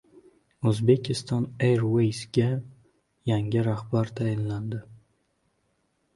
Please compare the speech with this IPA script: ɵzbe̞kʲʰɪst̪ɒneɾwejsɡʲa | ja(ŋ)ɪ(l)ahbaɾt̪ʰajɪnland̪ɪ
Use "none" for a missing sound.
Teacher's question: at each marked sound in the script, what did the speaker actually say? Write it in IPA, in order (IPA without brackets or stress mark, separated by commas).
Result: ŋ, ɾ